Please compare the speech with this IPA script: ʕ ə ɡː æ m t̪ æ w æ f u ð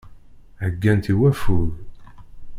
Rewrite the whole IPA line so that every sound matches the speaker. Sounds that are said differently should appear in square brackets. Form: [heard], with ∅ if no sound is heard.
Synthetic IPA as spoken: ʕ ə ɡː æ [n] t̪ [i] w æ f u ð